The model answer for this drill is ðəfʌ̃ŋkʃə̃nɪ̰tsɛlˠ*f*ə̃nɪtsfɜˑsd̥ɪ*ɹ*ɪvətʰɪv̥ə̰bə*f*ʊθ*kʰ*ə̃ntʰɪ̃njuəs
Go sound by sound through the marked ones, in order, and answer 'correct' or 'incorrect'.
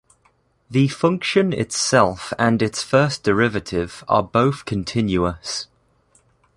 correct, correct, incorrect: none, correct

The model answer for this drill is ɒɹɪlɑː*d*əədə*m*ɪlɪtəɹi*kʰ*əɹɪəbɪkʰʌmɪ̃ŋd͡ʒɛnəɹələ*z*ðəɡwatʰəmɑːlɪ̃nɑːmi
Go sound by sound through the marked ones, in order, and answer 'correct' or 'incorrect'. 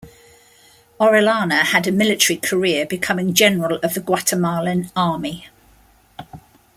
incorrect: n, correct, correct, incorrect: v

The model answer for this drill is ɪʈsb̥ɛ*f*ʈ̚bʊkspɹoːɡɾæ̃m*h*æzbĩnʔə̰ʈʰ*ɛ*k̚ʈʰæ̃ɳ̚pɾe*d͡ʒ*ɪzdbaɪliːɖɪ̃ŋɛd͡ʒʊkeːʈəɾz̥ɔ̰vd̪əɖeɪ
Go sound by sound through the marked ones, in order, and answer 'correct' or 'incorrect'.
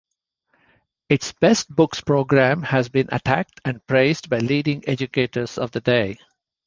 incorrect: s, correct, incorrect: æ, incorrect: none

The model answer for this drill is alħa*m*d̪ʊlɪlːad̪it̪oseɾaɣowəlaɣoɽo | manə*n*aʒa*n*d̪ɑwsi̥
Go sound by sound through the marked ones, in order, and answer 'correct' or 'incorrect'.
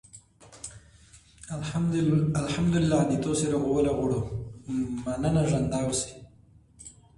correct, correct, correct

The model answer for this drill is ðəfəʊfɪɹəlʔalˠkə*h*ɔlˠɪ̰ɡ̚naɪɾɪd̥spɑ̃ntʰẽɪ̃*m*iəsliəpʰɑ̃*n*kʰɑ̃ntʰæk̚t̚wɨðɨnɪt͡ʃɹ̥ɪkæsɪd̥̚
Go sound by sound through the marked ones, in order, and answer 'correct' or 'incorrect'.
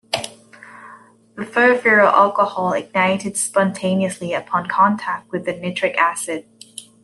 correct, incorrect: n, correct

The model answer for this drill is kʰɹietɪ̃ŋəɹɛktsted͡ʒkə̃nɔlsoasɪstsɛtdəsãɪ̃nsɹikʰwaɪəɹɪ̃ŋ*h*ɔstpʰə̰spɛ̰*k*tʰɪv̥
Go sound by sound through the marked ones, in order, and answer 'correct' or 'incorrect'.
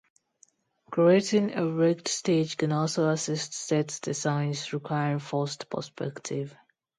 incorrect: f, correct

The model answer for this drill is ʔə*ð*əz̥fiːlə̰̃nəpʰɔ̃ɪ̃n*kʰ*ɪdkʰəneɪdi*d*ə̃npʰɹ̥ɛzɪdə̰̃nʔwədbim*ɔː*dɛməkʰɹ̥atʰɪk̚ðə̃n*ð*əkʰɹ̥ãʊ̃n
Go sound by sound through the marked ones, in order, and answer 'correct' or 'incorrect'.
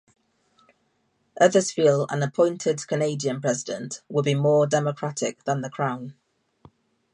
correct, incorrect: tʰ, incorrect: none, correct, correct

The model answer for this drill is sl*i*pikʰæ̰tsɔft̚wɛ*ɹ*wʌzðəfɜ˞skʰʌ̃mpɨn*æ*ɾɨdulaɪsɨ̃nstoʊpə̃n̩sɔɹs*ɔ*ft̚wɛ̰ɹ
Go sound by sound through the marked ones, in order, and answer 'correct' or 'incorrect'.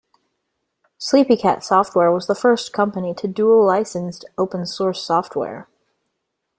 correct, correct, incorrect: i, correct

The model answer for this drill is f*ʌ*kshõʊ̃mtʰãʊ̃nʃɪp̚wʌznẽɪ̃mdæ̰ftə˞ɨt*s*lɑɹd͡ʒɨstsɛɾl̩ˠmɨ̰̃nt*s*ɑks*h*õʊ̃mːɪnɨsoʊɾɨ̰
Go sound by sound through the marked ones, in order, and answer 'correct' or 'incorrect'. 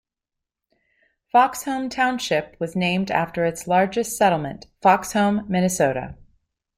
incorrect: ɑ, correct, incorrect: f, correct

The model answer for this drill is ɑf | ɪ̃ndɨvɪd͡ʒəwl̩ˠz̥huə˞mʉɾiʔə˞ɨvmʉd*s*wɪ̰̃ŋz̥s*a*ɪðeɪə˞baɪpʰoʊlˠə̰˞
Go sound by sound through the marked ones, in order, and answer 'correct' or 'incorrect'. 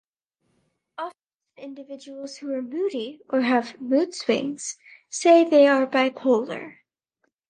correct, incorrect: e

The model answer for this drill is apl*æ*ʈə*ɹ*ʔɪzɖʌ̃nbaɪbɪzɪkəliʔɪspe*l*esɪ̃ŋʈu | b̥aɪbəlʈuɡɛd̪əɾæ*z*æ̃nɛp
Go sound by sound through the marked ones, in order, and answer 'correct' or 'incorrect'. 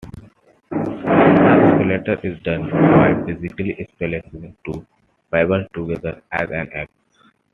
incorrect: e, incorrect: ɾ, correct, correct

